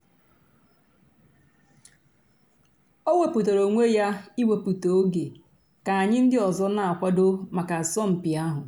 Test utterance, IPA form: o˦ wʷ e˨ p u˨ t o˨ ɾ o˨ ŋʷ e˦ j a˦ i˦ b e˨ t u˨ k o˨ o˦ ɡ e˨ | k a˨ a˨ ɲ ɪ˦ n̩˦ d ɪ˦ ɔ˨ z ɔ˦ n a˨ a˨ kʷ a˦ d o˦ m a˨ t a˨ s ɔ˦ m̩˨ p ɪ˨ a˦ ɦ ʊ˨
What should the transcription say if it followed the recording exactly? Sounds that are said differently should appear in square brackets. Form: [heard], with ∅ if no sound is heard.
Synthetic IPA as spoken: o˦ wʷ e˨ p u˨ t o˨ ɾ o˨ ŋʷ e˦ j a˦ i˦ [w] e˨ [p] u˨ [t] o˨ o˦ ɡ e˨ | k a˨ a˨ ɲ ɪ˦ n̩˦ d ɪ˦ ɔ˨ z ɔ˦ n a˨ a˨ kʷ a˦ d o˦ m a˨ [k] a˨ s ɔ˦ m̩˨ p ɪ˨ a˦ ɦ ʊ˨